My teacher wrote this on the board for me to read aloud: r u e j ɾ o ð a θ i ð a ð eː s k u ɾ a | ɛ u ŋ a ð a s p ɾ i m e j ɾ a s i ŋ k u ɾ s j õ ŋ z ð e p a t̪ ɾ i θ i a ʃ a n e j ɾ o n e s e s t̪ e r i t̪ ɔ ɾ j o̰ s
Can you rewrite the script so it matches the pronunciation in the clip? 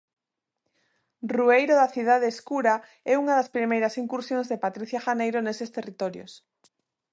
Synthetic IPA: r u e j ɾ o ð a θ i ð a ð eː s k u ɾ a | ɛ u ŋ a ð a s p ɾ i m e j ɾ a s i ŋ k u ɾ s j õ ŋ z ð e p a t̪ ɾ i θ j a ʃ a n e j ɾ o n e s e s t̪ e r i t̪ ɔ ɾ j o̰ s